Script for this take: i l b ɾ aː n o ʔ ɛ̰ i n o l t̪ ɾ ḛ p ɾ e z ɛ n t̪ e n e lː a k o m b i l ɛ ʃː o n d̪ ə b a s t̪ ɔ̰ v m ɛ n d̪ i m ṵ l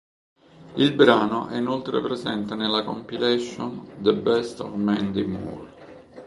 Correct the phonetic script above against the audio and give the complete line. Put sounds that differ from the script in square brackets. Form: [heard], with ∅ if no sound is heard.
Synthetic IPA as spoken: i l b ɾ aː n o ʔ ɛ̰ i n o l t̪ ɾ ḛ p ɾ e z ɛ n t̪ e n e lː a k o m [p] i l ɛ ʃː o n d̪ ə b [ɛ] s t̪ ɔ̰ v m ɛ n d̪ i m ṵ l